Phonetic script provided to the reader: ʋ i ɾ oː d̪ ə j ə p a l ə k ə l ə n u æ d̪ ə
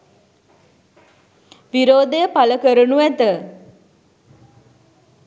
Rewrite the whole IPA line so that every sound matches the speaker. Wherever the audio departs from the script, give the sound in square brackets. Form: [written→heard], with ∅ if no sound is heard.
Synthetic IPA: ʋ i ɾ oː d̪ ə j ə p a l ə k ə [l→ɾ] ə n u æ [d̪→t̪] ə